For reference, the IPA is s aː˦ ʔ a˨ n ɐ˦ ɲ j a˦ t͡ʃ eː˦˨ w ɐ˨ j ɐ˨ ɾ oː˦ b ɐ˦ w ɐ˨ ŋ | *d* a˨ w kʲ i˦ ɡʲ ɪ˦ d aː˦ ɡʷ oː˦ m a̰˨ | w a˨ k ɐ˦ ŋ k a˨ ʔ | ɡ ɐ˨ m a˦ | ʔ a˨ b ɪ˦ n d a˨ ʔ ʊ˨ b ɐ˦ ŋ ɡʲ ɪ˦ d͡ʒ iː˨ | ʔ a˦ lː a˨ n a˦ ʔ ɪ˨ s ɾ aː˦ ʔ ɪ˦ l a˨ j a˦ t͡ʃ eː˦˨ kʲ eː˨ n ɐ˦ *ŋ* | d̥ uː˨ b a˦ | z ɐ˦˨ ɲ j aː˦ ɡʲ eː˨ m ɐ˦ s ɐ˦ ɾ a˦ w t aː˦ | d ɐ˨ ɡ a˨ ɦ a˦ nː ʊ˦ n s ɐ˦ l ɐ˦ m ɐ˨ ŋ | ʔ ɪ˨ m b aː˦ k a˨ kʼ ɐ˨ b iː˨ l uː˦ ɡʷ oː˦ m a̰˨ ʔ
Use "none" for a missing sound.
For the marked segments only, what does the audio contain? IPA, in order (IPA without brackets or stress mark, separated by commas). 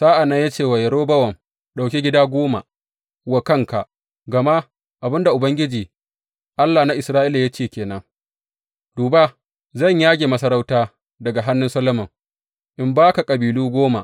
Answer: ɗ, ŋ